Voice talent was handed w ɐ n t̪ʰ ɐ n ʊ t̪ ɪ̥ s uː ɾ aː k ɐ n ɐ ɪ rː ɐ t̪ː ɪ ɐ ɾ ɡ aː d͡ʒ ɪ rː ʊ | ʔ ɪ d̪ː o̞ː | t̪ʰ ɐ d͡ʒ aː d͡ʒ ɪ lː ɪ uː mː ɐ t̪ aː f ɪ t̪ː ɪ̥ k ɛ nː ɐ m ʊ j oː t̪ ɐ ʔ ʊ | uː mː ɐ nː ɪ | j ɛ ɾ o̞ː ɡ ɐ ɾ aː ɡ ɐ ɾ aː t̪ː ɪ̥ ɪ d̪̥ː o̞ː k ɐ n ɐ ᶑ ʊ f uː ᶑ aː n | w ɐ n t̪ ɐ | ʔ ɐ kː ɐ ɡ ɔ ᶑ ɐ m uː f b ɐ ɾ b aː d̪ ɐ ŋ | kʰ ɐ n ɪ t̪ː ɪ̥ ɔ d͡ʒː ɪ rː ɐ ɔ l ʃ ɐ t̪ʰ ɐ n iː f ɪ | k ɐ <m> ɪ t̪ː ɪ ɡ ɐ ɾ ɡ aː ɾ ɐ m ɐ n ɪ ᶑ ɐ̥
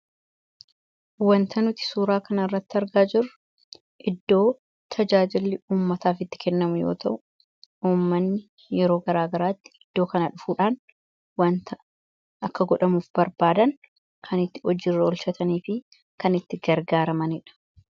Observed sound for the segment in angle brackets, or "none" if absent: n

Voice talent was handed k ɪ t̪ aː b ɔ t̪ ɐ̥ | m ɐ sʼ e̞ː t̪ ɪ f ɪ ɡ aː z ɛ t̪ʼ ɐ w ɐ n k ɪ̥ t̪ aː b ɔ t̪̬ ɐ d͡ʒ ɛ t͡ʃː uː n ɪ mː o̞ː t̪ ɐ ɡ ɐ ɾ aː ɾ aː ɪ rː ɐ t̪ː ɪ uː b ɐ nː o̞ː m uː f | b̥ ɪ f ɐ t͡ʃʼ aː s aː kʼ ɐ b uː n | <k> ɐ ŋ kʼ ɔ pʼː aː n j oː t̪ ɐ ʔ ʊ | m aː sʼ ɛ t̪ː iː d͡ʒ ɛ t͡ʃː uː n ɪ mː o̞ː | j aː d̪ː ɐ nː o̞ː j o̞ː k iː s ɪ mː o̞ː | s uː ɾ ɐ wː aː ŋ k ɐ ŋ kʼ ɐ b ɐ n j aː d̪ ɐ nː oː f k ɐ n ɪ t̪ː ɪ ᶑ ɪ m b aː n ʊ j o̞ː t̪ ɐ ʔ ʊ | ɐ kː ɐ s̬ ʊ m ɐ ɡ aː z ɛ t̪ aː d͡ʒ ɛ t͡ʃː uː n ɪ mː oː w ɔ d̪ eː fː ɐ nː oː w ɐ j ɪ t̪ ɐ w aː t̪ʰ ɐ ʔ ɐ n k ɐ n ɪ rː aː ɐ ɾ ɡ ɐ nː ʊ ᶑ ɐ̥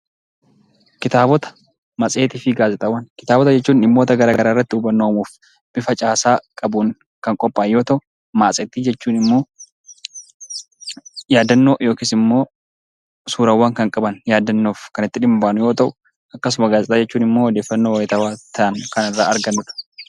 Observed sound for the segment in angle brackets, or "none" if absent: k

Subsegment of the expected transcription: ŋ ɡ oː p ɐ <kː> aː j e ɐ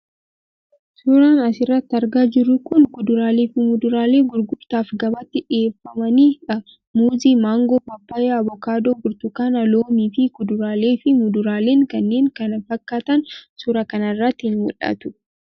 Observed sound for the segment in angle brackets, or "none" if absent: pː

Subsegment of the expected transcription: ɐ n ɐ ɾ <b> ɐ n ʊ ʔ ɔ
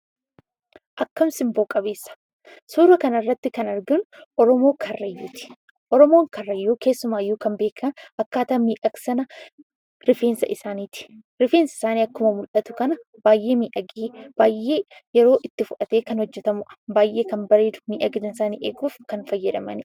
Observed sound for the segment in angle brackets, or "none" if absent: ɡ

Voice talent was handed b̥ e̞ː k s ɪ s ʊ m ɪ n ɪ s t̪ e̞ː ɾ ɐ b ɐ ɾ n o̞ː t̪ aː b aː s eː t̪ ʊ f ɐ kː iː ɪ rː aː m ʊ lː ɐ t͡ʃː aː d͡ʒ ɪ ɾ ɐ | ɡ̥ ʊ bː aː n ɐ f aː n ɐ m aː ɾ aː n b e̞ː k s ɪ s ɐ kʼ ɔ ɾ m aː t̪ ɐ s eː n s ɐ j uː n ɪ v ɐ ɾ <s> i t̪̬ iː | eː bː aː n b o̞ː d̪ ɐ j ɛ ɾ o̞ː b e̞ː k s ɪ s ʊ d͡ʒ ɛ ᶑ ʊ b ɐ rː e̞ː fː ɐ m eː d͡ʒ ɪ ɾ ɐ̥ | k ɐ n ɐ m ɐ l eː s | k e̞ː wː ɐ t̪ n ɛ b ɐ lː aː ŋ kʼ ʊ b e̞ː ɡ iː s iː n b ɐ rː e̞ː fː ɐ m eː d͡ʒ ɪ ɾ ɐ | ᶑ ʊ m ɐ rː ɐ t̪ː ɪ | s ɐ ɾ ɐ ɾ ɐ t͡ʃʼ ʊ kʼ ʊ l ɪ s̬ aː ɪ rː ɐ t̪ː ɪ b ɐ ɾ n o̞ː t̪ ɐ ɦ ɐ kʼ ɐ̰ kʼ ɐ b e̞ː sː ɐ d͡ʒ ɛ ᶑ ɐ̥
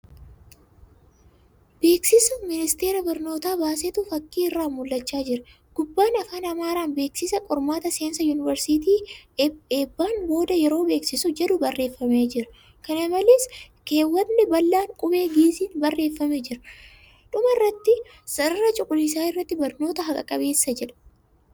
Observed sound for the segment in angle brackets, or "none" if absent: s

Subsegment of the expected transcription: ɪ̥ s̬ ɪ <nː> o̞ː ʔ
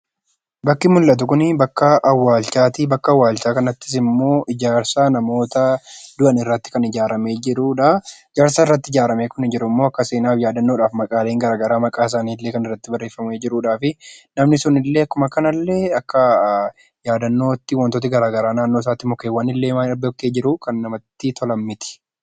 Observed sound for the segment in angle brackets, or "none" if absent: mː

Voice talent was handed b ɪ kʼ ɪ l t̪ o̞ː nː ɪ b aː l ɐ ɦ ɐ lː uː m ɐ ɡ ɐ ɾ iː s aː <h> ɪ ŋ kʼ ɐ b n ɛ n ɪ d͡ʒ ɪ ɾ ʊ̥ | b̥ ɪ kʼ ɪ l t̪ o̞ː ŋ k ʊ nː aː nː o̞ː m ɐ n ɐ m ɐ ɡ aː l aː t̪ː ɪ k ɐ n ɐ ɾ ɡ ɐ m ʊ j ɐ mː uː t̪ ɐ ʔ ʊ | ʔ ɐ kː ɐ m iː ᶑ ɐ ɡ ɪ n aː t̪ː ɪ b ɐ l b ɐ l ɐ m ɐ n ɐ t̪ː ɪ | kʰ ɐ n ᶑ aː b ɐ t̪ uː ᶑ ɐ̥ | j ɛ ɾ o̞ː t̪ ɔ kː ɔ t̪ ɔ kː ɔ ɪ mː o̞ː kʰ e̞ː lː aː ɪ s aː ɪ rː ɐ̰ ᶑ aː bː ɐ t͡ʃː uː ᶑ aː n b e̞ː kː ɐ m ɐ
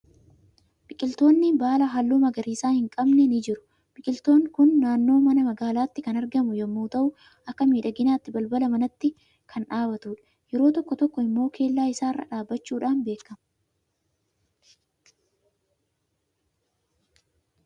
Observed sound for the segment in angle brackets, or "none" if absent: h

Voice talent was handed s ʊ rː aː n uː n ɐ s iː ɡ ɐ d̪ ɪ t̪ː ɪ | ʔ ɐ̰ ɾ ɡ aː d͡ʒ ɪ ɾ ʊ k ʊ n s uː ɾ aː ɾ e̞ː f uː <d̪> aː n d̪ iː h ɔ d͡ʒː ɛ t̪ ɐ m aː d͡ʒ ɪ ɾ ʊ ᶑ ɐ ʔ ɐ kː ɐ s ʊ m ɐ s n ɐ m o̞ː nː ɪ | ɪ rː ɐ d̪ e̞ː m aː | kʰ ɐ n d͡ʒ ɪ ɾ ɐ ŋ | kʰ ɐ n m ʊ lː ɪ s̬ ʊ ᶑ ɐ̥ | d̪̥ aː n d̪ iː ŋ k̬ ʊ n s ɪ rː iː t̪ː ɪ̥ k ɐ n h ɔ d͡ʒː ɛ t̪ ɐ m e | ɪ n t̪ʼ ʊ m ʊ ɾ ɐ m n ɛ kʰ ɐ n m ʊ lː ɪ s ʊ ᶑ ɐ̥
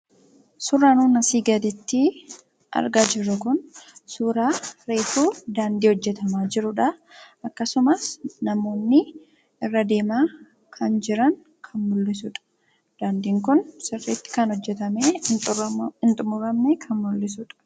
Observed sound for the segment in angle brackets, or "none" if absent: d̪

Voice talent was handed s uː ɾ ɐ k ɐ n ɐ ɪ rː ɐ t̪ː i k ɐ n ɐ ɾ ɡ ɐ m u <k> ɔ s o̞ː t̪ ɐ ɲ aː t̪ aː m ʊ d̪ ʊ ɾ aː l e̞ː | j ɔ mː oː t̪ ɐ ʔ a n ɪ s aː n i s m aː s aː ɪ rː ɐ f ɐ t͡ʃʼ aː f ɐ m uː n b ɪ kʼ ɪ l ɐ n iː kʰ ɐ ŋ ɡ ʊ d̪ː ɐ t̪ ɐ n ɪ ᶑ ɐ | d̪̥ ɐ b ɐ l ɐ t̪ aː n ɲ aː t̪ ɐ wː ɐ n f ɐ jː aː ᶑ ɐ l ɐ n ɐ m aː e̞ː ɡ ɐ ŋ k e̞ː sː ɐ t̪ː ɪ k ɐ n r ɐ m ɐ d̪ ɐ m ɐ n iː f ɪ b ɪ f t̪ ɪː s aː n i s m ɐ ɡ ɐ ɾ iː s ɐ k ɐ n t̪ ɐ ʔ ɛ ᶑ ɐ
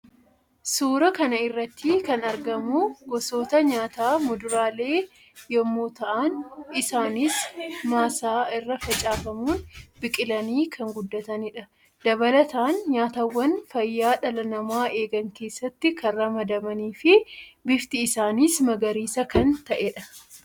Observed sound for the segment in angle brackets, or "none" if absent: ɡ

